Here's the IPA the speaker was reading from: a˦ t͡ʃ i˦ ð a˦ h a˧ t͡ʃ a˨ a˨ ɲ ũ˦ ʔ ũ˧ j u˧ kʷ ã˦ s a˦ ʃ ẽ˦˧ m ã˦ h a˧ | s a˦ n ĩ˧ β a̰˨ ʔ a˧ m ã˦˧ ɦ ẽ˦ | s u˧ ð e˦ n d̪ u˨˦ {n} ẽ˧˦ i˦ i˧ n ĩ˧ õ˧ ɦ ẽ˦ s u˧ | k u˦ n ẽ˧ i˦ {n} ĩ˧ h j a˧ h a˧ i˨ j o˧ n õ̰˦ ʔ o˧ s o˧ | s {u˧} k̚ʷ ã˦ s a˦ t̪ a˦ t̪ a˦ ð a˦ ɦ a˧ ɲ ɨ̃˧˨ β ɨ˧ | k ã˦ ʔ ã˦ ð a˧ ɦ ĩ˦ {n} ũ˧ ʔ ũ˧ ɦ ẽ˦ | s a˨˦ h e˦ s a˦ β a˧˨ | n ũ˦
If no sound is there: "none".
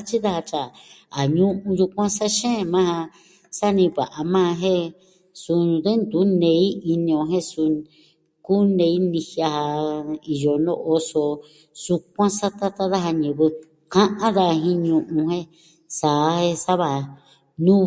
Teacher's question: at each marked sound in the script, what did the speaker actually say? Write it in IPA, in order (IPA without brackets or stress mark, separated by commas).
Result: n, n, u˧, ɲ